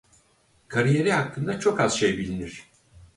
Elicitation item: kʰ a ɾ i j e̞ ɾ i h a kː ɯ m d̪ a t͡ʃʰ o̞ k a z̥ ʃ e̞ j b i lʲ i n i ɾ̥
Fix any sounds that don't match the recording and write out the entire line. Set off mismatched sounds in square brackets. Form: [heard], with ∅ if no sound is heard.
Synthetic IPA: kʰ a ɾ i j e̞ ɾ i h a kː ɯ [n] d̪ a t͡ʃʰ o̞ k a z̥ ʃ e̞ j b i lʲ i n i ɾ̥